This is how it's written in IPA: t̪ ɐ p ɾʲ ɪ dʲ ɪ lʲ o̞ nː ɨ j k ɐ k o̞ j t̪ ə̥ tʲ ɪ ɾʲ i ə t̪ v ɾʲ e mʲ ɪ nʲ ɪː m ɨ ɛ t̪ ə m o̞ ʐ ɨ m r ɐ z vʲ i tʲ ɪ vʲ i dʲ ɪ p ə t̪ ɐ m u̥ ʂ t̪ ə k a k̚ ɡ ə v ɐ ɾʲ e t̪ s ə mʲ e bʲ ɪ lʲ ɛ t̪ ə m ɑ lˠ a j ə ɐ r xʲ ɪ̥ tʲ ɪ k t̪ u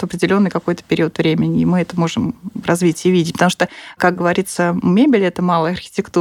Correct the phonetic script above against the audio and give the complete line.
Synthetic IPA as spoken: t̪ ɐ p ɾʲ ɪ dʲ ɪ lʲ o̞ nː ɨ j k ɐ k o̞ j t̪ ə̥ pʲ ɪ ɾʲ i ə t̪ v ɾʲ e mʲ ɪ nʲ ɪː m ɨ ɛ t̪ ə m o̞ ʐ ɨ m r ɐ z vʲ i tʲ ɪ vʲ i dʲ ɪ p ə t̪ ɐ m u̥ ʂ t̪ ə k a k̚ ɡ ə v ɐ ɾʲ i t̪ s ə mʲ e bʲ ɪ lʲ ɛ t̪ ə m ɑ lˠ ə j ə ɐ r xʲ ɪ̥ tʲ ɪ k t̪ u